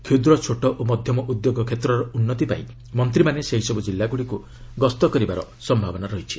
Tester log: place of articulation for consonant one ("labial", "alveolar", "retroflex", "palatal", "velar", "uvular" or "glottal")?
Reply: velar